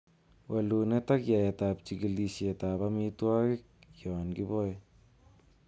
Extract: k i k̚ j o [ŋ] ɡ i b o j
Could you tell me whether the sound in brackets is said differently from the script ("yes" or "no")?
yes